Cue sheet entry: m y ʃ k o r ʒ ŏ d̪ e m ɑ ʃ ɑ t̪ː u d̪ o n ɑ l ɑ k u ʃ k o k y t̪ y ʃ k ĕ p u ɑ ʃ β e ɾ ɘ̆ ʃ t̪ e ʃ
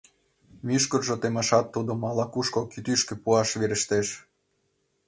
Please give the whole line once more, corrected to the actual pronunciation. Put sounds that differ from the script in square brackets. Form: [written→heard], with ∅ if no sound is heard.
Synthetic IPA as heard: m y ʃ k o r ʒ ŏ [d̪→t̪] e m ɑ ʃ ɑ t̪ː u d̪ o [n→m] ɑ l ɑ k u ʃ k o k y t̪ y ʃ k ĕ p u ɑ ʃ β e ɾ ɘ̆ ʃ t̪ e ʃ